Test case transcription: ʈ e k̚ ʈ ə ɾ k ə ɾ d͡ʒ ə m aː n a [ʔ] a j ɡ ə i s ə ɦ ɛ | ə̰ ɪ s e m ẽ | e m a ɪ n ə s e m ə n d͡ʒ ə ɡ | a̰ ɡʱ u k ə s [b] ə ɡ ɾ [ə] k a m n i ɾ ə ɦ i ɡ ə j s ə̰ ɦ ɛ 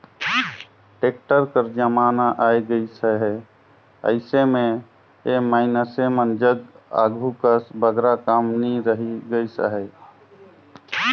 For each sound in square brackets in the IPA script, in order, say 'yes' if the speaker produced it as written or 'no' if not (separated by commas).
yes, yes, no